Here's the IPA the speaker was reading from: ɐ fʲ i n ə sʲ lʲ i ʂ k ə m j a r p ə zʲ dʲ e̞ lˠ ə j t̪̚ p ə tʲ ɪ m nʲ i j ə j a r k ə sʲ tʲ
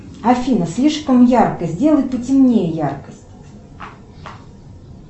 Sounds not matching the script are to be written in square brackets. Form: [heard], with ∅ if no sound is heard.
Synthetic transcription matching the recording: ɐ fʲ i n ə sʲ lʲ i ʂ k ə m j a r [k] ə zʲ dʲ e̞ lˠ ə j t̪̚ p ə tʲ ɪ m nʲ [e] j ə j a r k ə sʲ tʲ

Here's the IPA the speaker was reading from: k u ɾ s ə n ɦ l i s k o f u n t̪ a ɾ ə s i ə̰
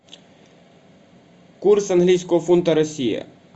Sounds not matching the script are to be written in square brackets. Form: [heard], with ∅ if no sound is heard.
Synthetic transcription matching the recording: k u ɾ s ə n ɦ l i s k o f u n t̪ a ɾ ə s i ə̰

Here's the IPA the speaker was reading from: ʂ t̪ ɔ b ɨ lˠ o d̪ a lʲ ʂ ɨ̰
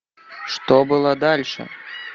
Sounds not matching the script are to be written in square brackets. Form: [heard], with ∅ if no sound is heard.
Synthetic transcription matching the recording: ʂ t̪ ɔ b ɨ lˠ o d̪ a lʲ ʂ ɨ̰

